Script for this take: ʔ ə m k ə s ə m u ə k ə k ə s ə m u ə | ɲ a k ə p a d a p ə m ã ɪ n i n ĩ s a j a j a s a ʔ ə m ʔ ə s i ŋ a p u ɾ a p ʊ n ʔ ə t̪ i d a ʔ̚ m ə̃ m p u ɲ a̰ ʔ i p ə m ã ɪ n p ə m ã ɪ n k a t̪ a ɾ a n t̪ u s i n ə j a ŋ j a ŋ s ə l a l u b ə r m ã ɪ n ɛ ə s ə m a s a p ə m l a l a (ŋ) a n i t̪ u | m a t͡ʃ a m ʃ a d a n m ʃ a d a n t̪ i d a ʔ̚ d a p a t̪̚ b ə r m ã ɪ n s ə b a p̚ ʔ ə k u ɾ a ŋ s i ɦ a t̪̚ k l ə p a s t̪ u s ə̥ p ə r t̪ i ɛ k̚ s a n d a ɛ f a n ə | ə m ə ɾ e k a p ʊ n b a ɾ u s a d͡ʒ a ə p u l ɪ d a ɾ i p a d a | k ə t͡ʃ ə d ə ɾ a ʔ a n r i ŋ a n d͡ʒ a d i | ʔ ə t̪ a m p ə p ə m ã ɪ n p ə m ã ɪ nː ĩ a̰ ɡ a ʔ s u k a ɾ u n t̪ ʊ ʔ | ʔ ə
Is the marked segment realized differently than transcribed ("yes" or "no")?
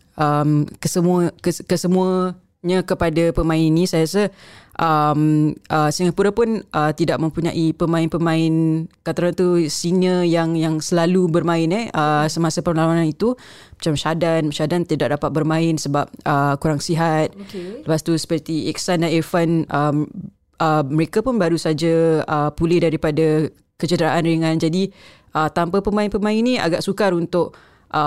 yes